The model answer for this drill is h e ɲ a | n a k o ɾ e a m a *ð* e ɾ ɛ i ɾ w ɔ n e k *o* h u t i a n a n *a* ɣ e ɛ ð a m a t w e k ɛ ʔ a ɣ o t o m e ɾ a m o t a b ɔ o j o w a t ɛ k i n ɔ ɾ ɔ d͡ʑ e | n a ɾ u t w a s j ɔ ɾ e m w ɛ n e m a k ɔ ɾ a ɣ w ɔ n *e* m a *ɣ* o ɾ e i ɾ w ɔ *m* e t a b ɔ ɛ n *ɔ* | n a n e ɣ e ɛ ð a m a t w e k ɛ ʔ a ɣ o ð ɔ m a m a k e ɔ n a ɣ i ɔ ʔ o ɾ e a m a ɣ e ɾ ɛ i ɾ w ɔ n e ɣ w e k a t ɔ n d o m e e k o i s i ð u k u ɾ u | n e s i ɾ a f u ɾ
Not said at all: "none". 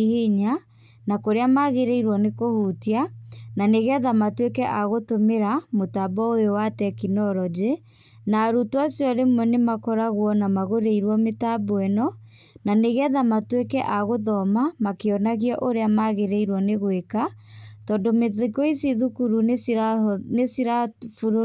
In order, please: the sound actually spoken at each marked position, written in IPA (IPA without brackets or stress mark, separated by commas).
ɣ, o, e, a, ɣ, m, ɔ